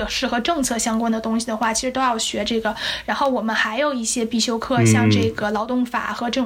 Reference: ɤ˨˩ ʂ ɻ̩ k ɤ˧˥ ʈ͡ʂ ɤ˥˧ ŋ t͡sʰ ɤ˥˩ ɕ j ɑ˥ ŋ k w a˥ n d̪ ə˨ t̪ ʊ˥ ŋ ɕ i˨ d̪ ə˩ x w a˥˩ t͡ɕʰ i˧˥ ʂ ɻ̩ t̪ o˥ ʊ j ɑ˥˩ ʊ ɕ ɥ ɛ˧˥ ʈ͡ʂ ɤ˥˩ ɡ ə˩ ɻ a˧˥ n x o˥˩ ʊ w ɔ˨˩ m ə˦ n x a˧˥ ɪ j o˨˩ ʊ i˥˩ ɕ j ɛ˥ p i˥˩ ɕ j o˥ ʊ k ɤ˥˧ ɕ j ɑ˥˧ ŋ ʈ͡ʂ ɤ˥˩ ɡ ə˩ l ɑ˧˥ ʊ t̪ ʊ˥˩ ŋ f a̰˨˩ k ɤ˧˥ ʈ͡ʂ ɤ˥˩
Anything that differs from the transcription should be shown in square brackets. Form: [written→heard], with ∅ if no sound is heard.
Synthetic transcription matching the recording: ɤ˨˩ ʂ ɻ̩ [k→x] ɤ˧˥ ʈ͡ʂ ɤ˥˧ ŋ t͡sʰ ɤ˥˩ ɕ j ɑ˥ ŋ k w a˥ n d̪ ə˨ t̪ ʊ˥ ŋ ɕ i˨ d̪ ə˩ x w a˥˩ t͡ɕʰ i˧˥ ʂ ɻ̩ t̪ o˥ ʊ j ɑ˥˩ ʊ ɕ ɥ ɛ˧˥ ʈ͡ʂ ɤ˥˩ ɡ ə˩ ɻ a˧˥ n x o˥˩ ʊ w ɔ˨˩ m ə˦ n x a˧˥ ɪ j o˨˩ ʊ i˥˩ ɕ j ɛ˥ p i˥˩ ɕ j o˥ ʊ [k→kʰ] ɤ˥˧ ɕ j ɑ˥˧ ŋ ʈ͡ʂ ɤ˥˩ ɡ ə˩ l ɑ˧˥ ʊ t̪ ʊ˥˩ ŋ f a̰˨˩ [k→x] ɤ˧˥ ʈ͡ʂ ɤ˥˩